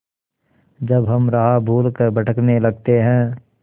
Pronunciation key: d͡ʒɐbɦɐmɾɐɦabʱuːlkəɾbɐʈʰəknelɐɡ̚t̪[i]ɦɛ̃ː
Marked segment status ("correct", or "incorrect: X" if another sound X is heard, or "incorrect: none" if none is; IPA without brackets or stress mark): incorrect: e